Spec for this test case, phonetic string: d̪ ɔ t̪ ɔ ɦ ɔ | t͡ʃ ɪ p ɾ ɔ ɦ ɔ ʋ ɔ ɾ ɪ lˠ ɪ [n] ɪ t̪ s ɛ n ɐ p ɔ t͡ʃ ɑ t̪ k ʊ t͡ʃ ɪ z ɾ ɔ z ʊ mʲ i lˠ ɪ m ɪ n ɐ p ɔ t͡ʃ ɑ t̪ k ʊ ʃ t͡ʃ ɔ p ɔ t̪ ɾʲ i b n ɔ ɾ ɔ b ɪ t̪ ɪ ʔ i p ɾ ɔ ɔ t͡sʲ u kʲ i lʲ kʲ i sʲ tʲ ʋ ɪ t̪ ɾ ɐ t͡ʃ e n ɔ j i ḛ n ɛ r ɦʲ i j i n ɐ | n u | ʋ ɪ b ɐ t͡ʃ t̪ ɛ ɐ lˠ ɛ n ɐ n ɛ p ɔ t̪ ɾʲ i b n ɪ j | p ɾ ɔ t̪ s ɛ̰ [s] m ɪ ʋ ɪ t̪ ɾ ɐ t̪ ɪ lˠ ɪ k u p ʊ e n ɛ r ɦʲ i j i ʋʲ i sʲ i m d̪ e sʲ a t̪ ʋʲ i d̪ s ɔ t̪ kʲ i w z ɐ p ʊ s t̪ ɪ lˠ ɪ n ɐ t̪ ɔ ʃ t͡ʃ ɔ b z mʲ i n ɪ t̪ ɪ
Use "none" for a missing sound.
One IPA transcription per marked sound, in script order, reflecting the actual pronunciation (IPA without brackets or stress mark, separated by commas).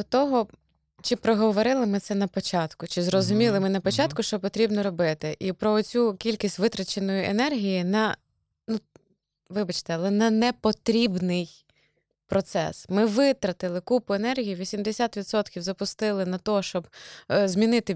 m, s